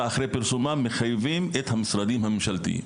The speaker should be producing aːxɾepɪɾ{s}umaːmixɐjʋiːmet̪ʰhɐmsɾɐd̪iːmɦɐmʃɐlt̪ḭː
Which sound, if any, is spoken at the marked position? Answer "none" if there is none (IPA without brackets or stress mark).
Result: s